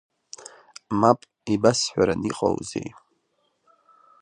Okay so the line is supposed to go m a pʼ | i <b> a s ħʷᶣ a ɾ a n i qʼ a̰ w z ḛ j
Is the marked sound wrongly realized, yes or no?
no